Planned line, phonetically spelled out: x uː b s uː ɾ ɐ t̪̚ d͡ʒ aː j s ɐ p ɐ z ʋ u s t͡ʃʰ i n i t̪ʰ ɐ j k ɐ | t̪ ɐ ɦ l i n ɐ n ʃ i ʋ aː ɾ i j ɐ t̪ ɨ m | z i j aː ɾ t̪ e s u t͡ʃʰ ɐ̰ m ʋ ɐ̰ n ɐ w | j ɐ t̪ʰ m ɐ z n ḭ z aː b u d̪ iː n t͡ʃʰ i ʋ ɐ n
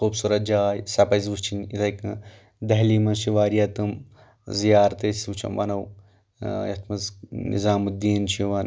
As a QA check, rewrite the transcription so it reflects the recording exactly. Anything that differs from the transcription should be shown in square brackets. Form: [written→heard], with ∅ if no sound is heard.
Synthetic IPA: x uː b s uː ɾ ɐ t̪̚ d͡ʒ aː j s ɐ p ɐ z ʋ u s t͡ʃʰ i n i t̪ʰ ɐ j k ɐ | [t̪→d̪] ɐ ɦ l i [n→m] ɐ n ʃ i ʋ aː ɾ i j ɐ t̪ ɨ m | z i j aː ɾ t̪ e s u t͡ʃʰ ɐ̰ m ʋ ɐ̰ n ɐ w | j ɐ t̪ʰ m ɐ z n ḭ z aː [b→m] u d̪ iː n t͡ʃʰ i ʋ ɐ n